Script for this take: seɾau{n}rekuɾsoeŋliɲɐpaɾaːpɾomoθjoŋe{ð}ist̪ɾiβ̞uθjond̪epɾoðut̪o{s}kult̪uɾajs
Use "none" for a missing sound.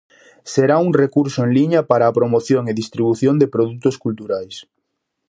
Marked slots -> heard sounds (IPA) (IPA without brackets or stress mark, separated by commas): ŋ, ð, s